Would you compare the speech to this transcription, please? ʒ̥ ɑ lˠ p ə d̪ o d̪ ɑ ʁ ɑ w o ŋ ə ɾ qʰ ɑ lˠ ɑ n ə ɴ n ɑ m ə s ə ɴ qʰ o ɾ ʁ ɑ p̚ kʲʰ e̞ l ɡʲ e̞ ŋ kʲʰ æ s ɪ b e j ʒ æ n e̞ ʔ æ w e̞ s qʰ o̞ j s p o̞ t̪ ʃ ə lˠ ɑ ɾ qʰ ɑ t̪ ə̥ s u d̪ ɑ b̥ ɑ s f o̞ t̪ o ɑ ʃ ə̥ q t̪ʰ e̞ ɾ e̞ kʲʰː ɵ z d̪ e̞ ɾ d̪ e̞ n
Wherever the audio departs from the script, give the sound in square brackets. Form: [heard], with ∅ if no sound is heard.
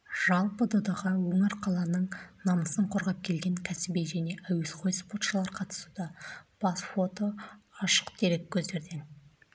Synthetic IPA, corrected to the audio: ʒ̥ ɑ lˠ p ə d̪ o d̪ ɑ ʁ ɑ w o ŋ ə ɾ qʰ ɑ lˠ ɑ n ə ɴ n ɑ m ə s ə ɴ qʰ o ɾ ʁ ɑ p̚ kʲʰ e̞ l ɡʲ e̞ ŋ kʲʰ æ s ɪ b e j ʒ æ n e̞ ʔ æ w e̞ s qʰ o̞ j s p o̞ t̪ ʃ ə lˠ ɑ ɾ qʰ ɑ t̪ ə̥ s u d̪ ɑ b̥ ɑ s f o̞ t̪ o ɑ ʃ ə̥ q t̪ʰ e̞ ɾ e̞ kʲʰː ɵ z d̪ e̞ ɾ d̪ e̞ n